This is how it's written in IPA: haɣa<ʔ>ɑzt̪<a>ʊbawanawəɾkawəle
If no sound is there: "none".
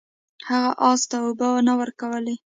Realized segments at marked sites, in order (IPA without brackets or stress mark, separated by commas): ʔ, a